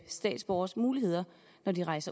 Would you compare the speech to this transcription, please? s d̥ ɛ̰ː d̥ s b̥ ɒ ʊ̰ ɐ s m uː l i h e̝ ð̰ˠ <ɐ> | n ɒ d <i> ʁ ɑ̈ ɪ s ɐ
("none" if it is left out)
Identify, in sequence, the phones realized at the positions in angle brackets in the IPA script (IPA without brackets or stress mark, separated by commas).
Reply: ɐ, i